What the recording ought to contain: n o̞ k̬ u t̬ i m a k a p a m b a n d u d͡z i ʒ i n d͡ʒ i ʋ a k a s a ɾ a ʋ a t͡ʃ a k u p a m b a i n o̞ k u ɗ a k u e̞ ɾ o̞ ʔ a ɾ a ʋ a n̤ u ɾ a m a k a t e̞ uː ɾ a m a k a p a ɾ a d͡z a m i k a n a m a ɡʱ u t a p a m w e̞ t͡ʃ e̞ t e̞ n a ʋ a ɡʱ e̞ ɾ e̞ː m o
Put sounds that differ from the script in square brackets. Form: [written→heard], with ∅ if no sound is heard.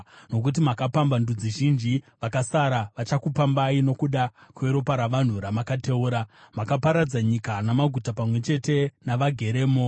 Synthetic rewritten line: n o̞ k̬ u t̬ i m a k a p a m b a n d u d͡z i ʒ i n d͡ʒ i ʋ a k a s a ɾ a ʋ a t͡ʃ a k u p a m b a i n o̞ k u ɗ a k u e̞ ɾ o̞ [ʔ→p] a ɾ a ʋ a n̤ u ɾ a m a k a t e̞ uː ɾ a m a k a p a ɾ a d͡z a [m→ɲ] i k a n a m a ɡʱ u t a p a m w e̞ t͡ʃ e̞ t e̞ n a ʋ a ɡʱ e̞ ɾ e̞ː m o